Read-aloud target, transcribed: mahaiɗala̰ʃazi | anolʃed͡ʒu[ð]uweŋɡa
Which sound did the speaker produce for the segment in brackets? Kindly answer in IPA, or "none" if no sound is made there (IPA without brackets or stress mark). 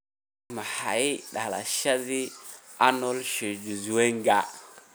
z